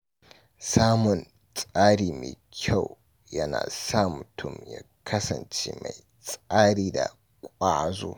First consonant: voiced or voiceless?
voiceless